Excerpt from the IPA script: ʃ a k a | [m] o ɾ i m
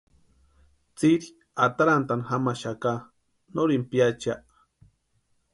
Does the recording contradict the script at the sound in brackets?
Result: yes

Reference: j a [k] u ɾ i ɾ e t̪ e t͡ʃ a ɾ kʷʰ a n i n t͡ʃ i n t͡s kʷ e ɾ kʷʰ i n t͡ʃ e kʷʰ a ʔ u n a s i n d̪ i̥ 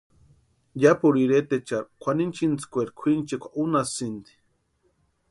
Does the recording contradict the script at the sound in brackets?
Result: yes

